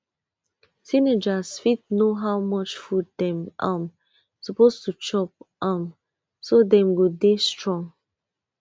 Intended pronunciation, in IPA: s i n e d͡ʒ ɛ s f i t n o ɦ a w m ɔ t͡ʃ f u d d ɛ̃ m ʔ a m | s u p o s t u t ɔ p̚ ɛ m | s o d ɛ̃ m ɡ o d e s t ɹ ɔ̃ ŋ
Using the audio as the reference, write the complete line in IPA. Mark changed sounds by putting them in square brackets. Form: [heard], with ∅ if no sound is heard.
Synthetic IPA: s i n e d͡ʒ [a] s f i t n o ɦ a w m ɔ t͡ʃ f u d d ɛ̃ m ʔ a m | s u p o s t u [t͡ʃ] ɔ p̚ [a] m | s o d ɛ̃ m ɡ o d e s t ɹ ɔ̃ ŋ